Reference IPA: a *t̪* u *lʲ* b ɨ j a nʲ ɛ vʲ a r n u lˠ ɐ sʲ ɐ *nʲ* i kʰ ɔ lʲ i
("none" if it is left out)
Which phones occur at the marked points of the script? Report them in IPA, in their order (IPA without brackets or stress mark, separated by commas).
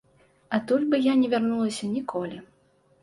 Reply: t̪, lʲ, nʲ